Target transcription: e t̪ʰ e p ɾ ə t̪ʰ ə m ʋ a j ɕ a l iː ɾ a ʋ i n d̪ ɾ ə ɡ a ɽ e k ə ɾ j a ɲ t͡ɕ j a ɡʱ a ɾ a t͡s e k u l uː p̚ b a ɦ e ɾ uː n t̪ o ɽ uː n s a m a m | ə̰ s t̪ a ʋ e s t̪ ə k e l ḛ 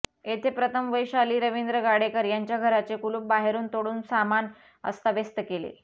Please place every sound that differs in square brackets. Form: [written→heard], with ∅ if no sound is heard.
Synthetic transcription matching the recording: e t̪ʰ e p ɾ ə t̪ʰ ə m ʋ [a→ə] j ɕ a l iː ɾ [a→ə] ʋ i n d̪ ɾ ə ɡ a ɽ e k ə ɾ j a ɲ t͡ɕ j a ɡʱ [a→ə] ɾ a t͡s e k u l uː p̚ b a ɦ e ɾ uː n t̪ o ɽ uː n s a m a [m→n] | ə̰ s t̪ a ʋ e s t̪ ə k e l ḛ